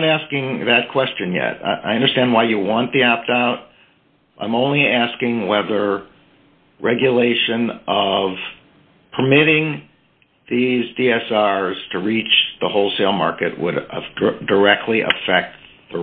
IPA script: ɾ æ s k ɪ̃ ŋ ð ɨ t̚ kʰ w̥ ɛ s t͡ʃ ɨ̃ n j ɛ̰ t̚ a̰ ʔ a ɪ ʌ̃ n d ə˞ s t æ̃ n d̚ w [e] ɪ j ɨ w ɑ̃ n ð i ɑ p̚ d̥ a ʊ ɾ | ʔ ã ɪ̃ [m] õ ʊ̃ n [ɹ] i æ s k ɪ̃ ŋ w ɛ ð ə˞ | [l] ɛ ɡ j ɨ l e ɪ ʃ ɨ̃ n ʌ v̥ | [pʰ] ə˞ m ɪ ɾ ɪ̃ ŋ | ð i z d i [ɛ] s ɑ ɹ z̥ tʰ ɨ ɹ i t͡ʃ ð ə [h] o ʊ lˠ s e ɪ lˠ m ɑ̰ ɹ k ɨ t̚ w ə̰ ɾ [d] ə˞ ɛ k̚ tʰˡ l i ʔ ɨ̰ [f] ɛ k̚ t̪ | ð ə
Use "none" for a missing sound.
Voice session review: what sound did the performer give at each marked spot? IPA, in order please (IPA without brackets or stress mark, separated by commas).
a, m, l, ɹ, pʰ, ɛ, h, d, f